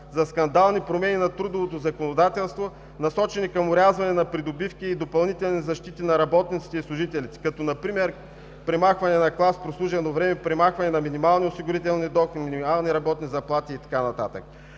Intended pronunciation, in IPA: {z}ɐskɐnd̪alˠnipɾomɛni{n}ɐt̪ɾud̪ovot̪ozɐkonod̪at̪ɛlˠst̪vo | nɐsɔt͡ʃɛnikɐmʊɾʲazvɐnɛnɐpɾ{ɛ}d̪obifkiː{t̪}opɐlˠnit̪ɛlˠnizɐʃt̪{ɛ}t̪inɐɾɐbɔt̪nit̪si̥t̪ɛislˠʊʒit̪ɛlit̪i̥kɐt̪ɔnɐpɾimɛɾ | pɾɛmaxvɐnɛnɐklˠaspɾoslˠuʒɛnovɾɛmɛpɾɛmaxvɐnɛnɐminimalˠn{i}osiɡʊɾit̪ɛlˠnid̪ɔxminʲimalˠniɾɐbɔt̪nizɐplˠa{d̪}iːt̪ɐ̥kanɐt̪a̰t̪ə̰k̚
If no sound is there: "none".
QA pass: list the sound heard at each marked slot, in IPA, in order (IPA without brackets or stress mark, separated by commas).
z, n, i, d̪, i, i, t̪